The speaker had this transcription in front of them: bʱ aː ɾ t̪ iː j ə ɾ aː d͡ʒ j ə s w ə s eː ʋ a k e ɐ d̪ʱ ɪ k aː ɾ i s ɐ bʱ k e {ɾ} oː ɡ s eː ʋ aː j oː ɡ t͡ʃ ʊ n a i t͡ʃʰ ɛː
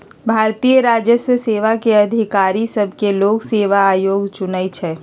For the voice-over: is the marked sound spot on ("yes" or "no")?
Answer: no